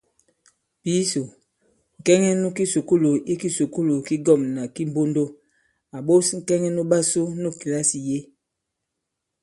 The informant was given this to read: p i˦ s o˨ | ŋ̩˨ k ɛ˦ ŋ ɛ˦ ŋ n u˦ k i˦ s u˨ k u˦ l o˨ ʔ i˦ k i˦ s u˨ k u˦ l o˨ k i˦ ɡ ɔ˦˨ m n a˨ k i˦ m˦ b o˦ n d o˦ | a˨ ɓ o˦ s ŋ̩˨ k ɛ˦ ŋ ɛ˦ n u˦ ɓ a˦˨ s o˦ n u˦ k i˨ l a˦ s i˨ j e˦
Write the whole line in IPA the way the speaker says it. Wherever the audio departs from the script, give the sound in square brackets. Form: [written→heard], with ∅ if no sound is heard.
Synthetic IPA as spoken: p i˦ s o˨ | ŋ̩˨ k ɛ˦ ŋ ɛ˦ [ŋ→∅] n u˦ k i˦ s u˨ k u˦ l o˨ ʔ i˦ k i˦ s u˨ k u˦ l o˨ k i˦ ɡ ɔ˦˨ m n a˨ k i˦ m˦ b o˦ n d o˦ | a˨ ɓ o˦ s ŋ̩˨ k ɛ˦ ŋ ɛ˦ n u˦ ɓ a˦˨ s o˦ n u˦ k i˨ l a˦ s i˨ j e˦